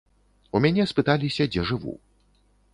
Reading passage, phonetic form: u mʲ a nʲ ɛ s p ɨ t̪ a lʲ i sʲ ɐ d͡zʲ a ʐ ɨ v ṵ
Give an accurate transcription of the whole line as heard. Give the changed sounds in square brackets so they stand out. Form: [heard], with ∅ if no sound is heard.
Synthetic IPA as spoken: u mʲ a nʲ ɛ s p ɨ t̪ a lʲ i sʲ ɐ d͡zʲ [ɛ] ʐ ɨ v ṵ